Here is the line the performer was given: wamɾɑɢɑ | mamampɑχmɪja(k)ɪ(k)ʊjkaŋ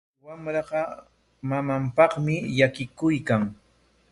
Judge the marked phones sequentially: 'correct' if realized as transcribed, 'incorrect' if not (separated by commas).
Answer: correct, correct